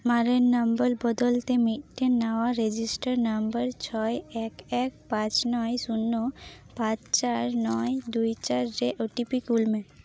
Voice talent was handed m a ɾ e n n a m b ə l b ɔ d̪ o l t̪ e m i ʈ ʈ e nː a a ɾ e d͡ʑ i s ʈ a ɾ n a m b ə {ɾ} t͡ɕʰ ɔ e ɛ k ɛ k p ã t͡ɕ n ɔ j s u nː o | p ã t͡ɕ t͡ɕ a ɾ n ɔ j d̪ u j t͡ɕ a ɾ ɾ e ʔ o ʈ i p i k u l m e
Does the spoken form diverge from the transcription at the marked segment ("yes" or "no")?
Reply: no